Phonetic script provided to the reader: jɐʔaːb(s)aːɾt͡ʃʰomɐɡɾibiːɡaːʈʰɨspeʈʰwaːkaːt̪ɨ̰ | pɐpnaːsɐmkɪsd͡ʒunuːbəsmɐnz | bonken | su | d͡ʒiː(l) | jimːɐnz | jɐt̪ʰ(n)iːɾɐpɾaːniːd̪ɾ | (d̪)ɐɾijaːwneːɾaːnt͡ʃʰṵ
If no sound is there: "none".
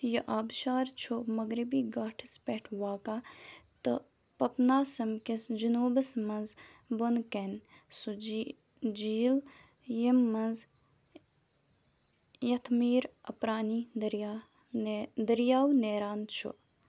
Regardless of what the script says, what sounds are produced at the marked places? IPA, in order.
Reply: ʃ, l, m, d̪

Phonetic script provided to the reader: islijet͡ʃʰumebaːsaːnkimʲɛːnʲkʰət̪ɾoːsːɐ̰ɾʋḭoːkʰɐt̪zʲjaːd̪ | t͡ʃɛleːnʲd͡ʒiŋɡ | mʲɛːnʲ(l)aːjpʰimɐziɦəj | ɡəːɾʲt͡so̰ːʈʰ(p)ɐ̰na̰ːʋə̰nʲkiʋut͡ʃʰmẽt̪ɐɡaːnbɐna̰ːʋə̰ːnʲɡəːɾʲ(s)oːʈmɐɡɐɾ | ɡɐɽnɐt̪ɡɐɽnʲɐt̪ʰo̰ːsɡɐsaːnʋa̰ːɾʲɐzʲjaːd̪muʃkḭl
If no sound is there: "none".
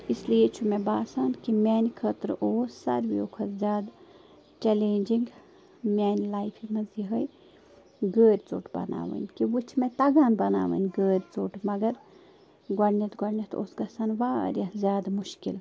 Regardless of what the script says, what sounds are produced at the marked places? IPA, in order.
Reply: l, b, t͡s

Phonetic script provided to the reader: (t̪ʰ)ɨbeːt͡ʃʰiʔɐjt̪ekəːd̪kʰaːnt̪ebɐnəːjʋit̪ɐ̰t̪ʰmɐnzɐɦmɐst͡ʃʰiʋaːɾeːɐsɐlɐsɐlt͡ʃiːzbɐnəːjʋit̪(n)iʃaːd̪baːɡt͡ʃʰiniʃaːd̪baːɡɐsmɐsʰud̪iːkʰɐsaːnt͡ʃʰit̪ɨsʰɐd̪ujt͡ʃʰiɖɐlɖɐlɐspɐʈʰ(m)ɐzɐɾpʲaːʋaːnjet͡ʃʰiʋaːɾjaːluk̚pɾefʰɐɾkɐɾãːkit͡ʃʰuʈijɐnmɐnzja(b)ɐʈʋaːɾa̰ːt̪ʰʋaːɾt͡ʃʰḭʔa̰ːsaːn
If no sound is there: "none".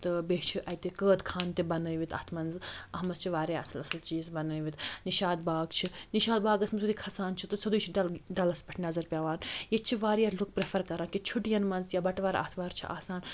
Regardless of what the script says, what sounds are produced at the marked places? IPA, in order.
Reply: t̪, n, n, b

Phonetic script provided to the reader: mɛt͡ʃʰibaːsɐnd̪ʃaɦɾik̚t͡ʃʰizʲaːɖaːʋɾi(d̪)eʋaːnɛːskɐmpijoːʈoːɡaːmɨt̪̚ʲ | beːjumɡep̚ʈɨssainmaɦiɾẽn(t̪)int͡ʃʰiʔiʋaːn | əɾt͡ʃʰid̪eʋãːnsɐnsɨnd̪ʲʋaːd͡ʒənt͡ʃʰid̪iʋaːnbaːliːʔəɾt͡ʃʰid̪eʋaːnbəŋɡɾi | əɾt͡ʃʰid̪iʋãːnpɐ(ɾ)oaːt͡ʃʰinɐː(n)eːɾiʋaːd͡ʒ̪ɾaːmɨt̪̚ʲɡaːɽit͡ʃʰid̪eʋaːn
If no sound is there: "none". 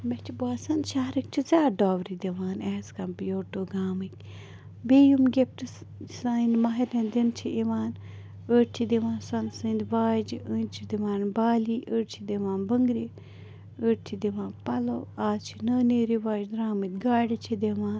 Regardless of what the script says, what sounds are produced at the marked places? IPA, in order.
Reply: d̪, d̪, l, n

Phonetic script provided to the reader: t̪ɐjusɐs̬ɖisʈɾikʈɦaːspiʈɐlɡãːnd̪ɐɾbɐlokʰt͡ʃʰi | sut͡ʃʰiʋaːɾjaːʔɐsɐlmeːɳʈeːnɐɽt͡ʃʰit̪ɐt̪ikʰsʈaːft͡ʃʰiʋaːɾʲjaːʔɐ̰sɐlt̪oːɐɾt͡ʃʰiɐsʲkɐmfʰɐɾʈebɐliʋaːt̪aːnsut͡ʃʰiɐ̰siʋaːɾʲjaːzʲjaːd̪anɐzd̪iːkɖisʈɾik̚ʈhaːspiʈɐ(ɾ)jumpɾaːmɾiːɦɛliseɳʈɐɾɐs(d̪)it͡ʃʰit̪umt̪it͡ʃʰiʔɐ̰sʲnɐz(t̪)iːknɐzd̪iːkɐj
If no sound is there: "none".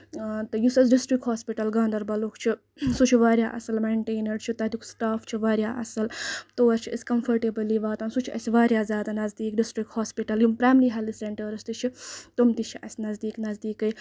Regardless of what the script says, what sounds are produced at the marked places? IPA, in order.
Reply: l, t̪, d̪

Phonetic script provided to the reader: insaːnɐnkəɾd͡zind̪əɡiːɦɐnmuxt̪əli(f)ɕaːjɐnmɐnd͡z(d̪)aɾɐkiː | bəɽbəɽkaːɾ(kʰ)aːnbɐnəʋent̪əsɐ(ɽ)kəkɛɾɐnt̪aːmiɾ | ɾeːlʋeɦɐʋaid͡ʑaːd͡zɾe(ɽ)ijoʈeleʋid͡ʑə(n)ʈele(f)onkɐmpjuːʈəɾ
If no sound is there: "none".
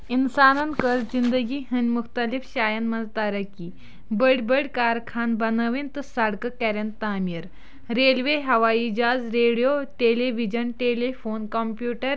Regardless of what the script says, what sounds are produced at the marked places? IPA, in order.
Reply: f, t̪, kʰ, ɽ, ɽ, n, f

